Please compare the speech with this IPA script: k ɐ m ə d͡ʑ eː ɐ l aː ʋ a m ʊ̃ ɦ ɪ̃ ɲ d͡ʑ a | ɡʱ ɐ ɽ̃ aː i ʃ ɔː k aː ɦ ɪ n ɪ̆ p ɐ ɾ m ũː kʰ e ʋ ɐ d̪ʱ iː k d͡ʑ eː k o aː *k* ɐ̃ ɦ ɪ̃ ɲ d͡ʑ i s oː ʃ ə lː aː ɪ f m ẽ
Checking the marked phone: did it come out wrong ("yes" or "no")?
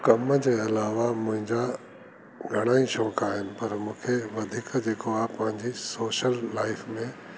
yes